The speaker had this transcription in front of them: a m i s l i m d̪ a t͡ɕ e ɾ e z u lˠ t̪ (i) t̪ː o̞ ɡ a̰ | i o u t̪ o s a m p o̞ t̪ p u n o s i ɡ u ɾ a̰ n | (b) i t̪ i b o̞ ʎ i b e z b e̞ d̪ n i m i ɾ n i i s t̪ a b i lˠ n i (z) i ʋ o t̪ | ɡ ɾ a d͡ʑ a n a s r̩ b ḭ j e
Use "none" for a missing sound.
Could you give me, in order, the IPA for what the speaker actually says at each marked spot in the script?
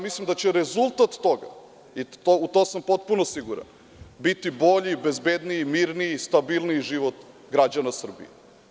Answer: a, b, ʒ

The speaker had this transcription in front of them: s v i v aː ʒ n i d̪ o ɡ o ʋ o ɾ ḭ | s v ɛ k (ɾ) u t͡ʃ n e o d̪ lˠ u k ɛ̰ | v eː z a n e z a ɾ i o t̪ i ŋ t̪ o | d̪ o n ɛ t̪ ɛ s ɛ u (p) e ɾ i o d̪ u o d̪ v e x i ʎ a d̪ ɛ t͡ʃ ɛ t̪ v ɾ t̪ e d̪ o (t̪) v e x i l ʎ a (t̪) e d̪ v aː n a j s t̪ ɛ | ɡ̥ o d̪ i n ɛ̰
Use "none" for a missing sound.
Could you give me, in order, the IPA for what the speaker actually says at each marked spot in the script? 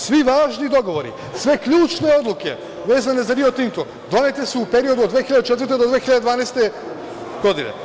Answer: ʎ, p, d̪, d̪

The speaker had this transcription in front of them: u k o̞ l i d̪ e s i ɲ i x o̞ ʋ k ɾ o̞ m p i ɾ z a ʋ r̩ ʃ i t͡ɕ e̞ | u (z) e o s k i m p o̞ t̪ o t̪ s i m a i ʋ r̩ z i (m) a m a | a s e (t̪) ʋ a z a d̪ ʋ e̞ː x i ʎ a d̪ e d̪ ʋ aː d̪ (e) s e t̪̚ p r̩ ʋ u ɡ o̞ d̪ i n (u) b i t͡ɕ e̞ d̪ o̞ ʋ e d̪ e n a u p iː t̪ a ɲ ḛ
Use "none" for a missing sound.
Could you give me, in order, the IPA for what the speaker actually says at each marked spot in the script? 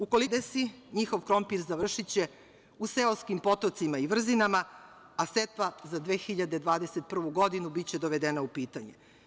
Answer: s, n, t̪, e, u

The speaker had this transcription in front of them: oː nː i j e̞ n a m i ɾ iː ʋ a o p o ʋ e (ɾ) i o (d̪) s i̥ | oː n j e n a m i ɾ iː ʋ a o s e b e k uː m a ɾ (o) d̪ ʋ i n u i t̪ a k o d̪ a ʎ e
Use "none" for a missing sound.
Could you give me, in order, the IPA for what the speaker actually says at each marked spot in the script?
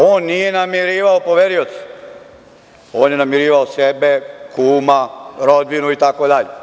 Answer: ɾ, t̪, o

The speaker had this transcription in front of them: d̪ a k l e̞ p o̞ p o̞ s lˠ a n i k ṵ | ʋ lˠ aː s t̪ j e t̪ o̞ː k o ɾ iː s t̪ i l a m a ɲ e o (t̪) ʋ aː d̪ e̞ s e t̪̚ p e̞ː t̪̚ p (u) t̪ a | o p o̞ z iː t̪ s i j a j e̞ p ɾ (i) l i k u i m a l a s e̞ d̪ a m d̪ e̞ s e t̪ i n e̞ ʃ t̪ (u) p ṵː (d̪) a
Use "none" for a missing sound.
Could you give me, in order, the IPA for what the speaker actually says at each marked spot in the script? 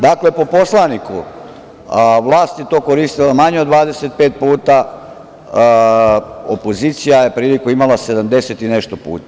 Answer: d̪, uː, iː, o, t̪

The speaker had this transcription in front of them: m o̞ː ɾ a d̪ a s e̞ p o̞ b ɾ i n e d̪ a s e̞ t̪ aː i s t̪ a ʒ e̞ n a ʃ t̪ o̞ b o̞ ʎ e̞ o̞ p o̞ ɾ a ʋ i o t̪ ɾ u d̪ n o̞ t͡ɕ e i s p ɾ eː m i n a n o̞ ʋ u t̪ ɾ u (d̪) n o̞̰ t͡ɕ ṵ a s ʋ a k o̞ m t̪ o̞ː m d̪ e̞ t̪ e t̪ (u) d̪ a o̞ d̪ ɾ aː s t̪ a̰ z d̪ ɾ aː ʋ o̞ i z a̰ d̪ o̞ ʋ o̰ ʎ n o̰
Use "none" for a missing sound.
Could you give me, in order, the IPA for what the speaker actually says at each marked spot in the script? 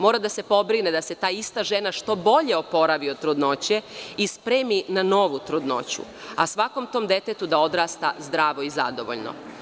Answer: d̪, u

